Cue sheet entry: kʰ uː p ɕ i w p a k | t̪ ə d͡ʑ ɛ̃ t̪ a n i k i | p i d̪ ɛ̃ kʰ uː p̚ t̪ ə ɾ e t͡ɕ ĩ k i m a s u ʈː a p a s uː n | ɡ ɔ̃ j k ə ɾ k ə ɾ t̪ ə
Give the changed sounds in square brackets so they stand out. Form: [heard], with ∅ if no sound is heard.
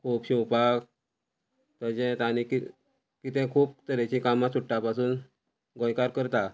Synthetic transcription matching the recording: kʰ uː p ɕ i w p a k | t̪ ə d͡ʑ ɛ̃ t̪ a n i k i | [k] i [t̪] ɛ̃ kʰ uː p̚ t̪ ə ɾ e t͡ɕ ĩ k [a] m a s u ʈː a p a s uː n | ɡ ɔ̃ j k [a] ɾ k ə ɾ t̪ [a]